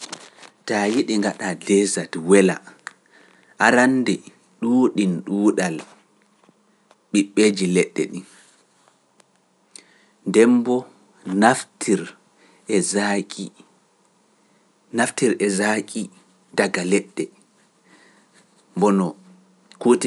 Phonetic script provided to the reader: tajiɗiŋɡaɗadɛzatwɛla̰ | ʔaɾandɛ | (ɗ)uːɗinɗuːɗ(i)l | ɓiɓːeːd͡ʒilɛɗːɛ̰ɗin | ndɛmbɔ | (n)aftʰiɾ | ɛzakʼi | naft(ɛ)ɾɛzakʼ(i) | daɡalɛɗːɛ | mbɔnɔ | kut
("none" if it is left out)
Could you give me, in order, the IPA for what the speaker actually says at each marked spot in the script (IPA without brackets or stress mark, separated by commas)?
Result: ɗ, a, n, i, i